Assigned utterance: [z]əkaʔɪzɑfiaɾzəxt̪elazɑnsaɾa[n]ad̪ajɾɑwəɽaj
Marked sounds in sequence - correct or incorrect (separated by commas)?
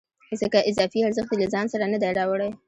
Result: correct, correct